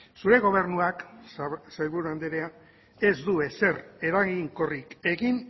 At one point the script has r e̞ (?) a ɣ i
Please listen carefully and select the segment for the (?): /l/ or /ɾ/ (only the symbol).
ɾ